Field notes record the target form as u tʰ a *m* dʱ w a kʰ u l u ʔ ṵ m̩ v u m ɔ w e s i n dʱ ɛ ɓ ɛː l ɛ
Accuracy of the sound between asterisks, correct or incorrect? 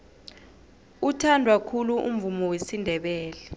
incorrect